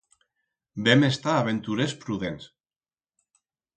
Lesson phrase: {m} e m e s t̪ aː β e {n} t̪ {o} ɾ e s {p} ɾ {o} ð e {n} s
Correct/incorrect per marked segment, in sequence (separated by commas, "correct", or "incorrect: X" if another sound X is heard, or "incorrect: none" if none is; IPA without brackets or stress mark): incorrect: b, correct, incorrect: u, correct, incorrect: u, correct